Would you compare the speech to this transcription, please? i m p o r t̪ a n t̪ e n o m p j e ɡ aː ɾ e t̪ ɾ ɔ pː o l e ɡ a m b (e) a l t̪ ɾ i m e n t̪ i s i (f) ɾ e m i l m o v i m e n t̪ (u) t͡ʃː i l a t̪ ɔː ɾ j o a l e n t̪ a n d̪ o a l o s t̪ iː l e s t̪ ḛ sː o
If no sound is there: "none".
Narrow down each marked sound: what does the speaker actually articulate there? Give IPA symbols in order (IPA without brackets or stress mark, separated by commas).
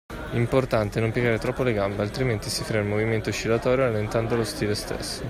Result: e, f, o